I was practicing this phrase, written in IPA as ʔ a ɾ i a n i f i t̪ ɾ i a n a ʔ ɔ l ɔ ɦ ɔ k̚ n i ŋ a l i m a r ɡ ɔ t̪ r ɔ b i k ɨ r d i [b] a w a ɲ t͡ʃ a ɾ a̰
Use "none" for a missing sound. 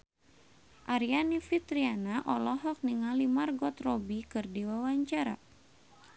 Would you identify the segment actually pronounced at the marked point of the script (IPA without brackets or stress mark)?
w